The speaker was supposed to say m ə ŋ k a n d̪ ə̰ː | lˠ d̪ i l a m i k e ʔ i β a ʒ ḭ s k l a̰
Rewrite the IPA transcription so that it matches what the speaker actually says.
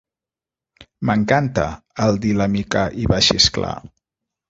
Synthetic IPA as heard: m ə ŋ k a n t̪ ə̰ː | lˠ d̪ i l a m i k a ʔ i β a ʃ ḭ s k l a̰